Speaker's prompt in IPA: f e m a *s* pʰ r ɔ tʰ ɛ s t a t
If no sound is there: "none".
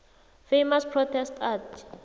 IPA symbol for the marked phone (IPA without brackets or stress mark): s